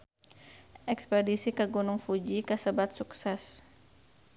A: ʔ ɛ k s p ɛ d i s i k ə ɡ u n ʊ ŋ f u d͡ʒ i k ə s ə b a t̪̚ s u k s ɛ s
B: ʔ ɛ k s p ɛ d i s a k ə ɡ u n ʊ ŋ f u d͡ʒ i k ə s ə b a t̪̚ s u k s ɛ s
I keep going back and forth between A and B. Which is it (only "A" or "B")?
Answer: A